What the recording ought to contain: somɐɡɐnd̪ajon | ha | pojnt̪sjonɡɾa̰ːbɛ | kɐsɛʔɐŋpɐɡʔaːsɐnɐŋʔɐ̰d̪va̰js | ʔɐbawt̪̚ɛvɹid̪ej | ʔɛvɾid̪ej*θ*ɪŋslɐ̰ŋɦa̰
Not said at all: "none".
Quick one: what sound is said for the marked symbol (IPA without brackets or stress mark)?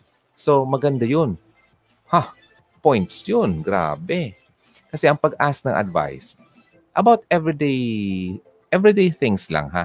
θ